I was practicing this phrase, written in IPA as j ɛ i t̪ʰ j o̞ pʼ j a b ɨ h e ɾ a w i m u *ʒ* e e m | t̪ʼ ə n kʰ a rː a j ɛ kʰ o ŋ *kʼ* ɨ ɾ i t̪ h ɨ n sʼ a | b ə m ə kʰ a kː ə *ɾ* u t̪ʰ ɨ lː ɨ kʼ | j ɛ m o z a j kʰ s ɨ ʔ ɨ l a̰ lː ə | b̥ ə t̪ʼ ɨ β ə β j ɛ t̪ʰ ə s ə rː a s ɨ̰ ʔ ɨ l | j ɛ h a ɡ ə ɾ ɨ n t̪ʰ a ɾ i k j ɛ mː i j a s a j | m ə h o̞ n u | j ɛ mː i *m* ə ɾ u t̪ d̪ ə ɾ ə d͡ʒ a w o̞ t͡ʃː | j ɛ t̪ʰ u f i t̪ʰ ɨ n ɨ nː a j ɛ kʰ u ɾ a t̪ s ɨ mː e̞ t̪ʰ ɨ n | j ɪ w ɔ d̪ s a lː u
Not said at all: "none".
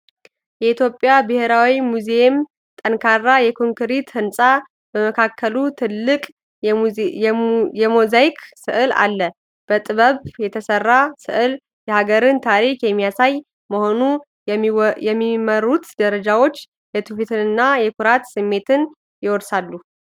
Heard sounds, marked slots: z, k, l, m

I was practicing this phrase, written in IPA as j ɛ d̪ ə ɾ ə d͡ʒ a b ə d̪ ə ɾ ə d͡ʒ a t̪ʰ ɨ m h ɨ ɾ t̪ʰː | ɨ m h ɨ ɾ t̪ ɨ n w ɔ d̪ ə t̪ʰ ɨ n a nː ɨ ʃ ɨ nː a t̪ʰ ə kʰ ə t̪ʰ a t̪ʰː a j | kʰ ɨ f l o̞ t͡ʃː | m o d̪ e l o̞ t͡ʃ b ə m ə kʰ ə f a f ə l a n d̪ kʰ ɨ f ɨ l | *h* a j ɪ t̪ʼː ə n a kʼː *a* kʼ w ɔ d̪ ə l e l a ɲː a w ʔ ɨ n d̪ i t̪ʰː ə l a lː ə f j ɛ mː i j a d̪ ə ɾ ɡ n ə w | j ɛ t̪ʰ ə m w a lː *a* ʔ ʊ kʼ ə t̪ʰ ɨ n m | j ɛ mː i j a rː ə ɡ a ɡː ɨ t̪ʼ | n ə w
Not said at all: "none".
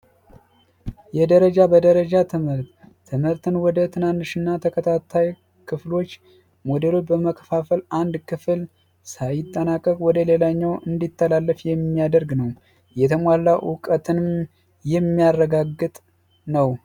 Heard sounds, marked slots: s, ə, a

